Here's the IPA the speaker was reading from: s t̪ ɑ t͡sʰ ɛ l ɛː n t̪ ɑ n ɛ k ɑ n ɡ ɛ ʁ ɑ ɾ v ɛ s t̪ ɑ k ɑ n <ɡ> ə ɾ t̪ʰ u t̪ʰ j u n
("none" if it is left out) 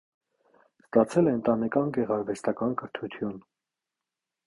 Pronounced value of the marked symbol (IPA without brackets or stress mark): k